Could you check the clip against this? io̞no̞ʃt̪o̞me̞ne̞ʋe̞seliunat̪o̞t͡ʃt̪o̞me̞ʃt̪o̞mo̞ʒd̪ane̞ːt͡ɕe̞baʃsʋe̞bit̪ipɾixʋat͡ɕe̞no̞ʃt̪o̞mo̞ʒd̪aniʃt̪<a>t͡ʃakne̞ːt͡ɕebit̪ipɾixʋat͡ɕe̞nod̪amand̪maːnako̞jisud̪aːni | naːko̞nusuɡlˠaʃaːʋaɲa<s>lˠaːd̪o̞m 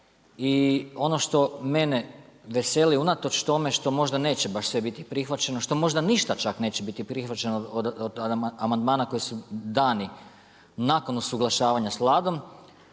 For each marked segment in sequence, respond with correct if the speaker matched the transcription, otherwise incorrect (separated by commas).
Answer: correct, correct